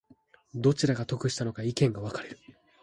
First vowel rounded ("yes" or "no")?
yes